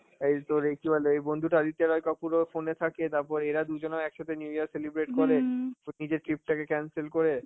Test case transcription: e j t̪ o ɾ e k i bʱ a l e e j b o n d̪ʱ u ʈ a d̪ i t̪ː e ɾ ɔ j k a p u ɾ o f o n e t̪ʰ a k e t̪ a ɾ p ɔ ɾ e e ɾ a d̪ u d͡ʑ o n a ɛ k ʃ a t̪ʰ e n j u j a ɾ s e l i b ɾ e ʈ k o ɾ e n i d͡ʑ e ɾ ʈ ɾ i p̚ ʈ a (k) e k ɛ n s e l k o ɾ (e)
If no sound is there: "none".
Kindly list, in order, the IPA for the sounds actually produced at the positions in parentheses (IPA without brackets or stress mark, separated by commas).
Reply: k, e